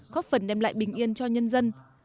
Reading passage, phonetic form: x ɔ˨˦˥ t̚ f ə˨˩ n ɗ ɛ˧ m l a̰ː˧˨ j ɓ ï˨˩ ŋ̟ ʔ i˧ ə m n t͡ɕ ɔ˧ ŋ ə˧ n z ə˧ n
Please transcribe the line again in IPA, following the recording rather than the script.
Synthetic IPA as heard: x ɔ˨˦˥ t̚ f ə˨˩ n ɗ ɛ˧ m l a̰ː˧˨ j ɓ ï˨˩ ŋ̟ ʔ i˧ ə n t͡ɕ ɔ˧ ɲ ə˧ n z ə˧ n